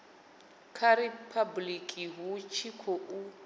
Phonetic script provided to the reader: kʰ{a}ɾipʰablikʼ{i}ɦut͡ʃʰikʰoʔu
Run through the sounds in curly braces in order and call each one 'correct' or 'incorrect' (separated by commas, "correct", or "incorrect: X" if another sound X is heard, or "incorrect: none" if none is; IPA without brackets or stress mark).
correct, correct